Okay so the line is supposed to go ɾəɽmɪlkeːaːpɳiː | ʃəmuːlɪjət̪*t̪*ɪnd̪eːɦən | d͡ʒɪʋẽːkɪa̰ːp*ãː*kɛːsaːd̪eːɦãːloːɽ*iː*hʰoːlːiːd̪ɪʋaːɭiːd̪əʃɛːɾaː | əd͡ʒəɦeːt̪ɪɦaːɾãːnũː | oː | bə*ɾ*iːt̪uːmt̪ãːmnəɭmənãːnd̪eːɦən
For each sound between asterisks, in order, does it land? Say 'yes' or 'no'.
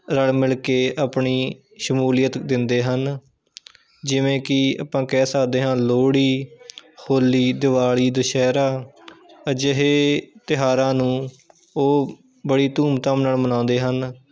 no, yes, yes, no

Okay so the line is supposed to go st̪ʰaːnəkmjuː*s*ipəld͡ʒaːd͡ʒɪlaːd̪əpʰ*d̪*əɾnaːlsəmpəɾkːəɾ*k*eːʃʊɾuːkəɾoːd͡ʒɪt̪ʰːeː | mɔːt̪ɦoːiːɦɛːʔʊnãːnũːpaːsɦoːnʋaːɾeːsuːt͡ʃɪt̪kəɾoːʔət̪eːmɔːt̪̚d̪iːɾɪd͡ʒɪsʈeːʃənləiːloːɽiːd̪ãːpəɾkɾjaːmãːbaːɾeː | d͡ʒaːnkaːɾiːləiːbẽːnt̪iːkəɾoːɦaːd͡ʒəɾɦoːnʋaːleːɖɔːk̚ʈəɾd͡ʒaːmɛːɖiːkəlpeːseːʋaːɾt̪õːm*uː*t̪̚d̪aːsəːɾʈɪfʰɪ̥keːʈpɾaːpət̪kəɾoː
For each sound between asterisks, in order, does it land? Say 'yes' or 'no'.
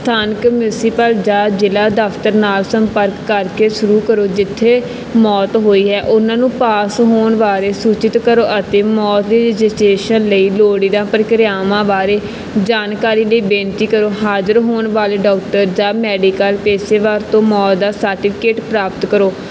yes, no, yes, no

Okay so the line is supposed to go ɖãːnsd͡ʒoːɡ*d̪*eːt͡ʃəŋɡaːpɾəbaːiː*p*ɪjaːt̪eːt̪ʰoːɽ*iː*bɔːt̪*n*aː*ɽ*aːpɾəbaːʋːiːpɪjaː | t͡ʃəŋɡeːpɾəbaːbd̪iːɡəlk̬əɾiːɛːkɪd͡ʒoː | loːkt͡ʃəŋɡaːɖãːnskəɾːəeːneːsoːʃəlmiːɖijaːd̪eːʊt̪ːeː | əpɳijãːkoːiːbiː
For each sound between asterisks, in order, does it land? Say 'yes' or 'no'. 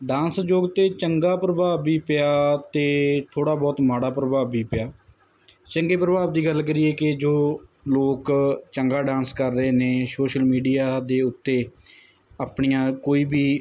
no, yes, no, no, yes

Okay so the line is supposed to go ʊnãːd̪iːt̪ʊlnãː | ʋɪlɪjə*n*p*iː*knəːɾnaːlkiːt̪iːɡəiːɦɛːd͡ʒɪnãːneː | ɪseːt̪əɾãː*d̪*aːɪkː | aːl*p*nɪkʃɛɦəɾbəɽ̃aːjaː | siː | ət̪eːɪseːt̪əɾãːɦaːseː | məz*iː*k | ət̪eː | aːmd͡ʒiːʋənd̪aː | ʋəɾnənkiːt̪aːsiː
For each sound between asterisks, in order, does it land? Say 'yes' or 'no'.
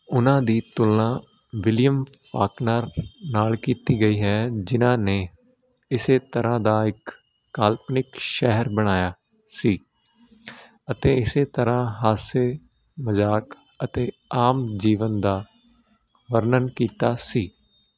no, no, yes, yes, no

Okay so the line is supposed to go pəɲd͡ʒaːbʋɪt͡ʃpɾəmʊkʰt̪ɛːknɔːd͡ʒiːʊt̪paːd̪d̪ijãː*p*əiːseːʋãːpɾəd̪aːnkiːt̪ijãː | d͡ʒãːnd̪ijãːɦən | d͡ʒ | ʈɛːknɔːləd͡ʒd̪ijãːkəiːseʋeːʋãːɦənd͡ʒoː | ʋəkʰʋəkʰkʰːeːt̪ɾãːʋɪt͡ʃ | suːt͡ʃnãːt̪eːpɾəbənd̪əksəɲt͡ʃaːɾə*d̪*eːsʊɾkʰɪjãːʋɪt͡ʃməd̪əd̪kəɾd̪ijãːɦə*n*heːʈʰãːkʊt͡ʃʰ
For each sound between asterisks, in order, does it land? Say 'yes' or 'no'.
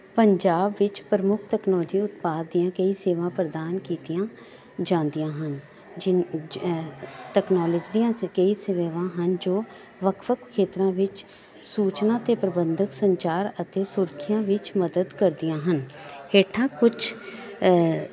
no, no, yes

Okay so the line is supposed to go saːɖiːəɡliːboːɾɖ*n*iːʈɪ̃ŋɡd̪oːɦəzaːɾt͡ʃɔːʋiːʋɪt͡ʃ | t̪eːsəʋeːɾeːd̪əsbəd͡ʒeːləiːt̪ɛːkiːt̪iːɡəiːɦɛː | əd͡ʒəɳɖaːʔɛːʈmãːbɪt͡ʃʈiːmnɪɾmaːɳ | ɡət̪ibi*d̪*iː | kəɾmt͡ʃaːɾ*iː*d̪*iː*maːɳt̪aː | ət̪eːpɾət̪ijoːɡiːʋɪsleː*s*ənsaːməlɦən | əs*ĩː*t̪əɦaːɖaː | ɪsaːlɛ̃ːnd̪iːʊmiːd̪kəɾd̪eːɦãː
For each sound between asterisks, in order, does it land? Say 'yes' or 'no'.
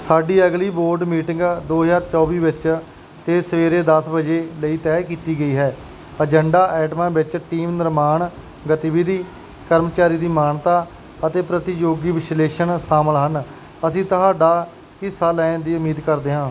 no, yes, yes, yes, no, yes

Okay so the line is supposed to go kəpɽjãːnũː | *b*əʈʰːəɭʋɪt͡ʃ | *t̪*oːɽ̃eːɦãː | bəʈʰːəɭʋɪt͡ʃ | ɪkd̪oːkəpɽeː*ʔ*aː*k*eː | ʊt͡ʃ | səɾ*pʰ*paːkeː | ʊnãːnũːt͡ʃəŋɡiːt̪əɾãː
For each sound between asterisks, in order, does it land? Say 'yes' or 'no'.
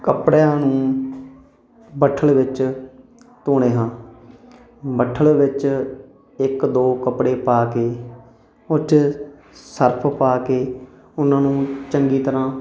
yes, yes, no, yes, yes

